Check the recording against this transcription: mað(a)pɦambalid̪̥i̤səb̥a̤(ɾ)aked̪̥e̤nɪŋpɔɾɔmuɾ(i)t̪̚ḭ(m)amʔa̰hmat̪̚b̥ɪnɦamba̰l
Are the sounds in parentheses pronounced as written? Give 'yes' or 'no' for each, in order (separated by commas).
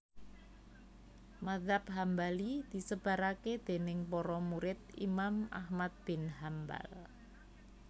yes, yes, no, yes